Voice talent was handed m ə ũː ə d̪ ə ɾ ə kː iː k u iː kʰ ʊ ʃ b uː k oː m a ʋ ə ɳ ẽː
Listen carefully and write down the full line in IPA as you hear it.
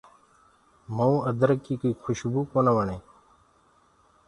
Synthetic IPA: m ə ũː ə d̪ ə ɾ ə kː iː k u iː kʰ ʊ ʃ b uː k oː n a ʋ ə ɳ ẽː